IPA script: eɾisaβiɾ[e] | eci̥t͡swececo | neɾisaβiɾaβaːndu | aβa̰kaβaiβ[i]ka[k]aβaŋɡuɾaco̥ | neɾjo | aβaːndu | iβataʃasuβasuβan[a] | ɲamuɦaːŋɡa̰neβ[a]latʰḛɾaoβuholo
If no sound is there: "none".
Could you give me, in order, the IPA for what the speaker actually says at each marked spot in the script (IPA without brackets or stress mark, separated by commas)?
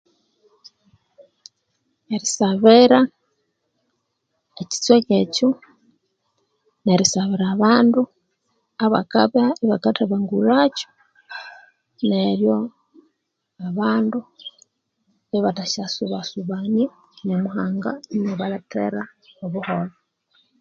a, a, t, i, a